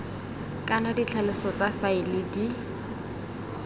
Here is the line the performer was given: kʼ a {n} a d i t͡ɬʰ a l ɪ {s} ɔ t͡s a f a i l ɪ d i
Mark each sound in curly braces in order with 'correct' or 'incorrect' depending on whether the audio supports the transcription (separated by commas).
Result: correct, correct